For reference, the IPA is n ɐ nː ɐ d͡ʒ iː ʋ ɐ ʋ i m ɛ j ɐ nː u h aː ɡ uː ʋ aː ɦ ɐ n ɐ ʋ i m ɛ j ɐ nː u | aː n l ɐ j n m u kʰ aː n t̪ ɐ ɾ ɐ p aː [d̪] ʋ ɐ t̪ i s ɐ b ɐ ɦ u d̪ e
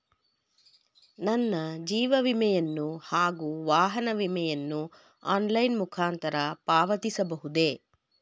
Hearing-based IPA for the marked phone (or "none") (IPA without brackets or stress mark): none